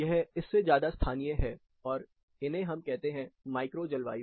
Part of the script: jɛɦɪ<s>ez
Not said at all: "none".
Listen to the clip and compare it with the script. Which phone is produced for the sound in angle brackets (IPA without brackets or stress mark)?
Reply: sː